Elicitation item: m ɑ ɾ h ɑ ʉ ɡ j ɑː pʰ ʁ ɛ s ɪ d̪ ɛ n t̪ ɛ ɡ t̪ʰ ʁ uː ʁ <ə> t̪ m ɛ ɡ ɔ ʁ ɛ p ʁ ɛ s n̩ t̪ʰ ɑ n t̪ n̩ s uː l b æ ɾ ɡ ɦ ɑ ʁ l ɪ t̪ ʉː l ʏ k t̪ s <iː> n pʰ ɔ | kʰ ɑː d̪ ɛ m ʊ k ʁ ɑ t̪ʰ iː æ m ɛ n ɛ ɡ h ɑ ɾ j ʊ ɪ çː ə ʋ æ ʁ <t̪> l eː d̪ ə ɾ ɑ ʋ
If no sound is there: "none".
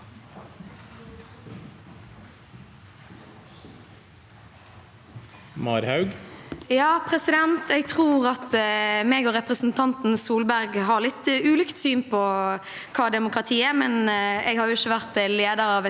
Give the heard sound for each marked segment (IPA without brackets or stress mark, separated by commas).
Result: ɑ, yː, t̪